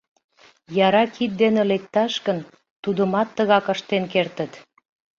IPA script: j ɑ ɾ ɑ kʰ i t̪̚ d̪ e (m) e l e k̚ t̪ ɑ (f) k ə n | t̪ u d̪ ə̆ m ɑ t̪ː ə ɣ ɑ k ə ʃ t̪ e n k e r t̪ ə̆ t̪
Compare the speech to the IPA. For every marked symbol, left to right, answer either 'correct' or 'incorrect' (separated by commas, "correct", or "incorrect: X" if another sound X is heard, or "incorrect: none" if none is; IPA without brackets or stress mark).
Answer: incorrect: n, incorrect: ʃ